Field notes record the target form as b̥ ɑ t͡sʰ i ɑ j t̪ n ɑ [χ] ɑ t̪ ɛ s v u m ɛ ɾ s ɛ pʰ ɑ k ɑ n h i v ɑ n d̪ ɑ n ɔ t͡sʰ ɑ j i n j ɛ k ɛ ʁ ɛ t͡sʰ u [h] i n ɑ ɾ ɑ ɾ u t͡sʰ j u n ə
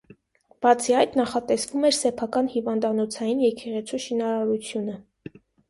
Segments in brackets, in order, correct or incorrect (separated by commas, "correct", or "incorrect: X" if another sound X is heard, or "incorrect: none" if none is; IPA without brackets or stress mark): correct, incorrect: ʃ